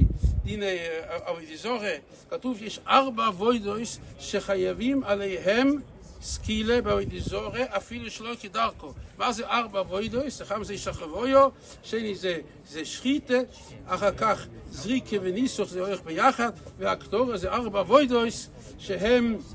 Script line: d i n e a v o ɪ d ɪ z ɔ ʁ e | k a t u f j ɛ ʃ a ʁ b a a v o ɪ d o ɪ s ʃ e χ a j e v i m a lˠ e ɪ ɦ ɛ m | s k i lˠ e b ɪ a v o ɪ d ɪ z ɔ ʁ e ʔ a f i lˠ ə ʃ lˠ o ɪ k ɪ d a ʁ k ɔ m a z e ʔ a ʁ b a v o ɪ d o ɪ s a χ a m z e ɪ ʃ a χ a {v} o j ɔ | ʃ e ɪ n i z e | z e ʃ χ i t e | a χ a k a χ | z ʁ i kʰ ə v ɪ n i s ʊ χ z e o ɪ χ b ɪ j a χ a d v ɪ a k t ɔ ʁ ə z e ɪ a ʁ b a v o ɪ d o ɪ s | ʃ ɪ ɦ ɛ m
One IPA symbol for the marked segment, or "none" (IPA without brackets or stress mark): v